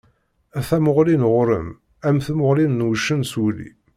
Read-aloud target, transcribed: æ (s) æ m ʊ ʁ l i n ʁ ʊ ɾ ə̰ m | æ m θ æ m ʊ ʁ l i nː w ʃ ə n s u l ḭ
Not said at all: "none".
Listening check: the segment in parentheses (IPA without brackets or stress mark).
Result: θ